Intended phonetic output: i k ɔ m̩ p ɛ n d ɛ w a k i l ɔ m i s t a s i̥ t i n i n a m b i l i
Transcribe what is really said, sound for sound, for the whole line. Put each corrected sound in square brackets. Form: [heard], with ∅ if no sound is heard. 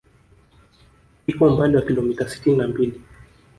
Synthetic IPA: i k ɔ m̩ p [a] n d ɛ w a k i l ɔ m i [∅] t a s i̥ t i n i n a m b i l i